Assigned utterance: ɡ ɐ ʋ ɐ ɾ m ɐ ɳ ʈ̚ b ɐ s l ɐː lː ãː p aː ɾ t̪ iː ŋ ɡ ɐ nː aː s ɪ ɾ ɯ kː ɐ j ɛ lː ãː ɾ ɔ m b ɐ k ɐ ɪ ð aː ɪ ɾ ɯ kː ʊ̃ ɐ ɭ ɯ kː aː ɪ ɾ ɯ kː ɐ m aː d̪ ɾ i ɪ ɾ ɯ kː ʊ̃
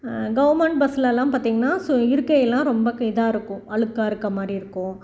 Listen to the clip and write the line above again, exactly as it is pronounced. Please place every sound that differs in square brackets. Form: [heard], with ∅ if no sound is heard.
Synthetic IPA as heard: ɡ ɐ ʋ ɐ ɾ m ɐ ɳ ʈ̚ b ɐ s l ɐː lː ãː p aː ɾ t̪ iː ŋ ɡ ɐ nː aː s ɪ ɾ ɯ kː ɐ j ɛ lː ãː ɾ ɔ m b ɐ k ɐ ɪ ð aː ɪ ɾ ɯ kː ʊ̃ ɐ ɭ ɯ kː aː ɪ ɾ ɯ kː ɐ m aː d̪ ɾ i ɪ ɾ ɯ kː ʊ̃